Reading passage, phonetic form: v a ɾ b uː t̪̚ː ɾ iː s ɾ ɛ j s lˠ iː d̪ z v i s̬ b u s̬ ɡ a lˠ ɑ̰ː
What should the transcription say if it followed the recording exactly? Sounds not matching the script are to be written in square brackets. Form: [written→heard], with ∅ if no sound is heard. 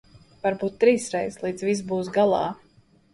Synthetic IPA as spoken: v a ɾ b uː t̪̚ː ɾ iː s ɾ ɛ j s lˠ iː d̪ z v i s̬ b [u→uː] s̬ ɡ a lˠ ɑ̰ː

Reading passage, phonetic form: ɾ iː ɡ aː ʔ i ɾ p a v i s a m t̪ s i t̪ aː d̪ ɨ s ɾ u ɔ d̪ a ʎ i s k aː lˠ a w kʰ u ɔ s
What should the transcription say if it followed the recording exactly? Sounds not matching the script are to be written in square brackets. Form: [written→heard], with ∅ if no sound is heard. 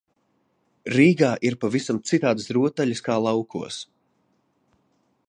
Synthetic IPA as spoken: ɾ iː ɡ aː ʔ i ɾ p a v i s a m t̪ s i t̪ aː d̪ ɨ s ɾ u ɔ [d̪→t̪] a ʎ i s k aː lˠ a w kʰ u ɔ s

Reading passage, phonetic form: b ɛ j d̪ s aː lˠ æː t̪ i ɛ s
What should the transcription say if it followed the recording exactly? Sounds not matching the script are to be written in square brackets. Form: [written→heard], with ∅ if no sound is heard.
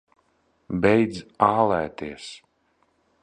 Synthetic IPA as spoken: b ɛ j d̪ [s→z] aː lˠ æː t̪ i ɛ s

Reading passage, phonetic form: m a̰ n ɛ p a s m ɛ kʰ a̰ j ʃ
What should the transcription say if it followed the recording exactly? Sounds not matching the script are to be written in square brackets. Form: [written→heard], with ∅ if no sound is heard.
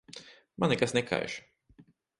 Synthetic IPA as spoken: m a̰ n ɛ [p→k] a s [m→n] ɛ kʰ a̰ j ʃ

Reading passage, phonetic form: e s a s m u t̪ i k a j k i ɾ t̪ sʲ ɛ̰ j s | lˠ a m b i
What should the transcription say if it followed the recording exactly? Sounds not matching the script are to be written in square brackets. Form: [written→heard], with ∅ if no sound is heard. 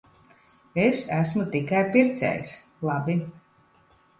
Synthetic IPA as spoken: e s [a→æ] s m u t̪ i k a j [k→p] i ɾ t̪ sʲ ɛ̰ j s | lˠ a [m→∅] b i

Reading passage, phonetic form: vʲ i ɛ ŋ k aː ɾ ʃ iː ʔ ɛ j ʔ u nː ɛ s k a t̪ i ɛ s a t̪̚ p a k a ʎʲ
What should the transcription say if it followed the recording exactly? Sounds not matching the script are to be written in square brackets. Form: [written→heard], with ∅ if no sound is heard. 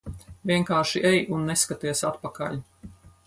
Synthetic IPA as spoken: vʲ i ɛ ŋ k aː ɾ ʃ [iː→i] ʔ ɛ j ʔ u nː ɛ s k a t̪ i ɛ s a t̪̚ p a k a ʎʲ

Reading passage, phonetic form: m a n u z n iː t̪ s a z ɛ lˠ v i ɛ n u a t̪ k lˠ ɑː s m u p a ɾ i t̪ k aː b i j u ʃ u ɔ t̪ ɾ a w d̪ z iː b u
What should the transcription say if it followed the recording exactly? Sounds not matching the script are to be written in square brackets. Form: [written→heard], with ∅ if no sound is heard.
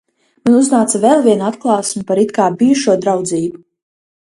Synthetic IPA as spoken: m a n u z n [iː→aː] t̪ s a [z→v] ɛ lˠ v i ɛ n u a t̪ k lˠ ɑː s m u p a ɾ i t̪ k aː b i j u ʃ u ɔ [t̪→d̪] ɾ a w d̪ z iː b u

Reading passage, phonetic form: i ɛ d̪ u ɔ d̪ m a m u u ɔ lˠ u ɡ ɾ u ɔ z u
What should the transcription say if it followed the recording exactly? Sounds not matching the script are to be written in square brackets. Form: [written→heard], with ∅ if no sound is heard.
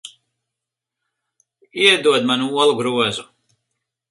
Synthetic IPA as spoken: i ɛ d̪ u ɔ d̪ m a [m→n] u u ɔ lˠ u ɡ ɾ u ɔ z u

